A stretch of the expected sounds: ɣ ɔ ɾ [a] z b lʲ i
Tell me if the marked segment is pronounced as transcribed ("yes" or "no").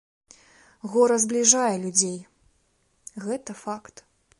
no